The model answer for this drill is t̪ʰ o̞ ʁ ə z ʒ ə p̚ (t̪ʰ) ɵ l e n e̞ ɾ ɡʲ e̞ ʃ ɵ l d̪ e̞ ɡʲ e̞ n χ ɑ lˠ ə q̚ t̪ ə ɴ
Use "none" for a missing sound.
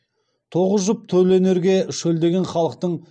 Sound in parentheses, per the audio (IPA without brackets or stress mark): t̪ʰ